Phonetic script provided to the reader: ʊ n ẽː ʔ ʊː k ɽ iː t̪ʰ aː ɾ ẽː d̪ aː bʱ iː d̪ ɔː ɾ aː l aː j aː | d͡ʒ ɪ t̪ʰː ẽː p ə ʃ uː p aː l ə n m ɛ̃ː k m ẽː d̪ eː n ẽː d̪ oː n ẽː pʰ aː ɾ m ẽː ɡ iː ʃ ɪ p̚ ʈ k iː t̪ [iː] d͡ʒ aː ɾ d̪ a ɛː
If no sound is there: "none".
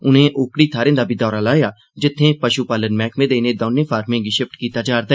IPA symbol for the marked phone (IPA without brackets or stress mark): aː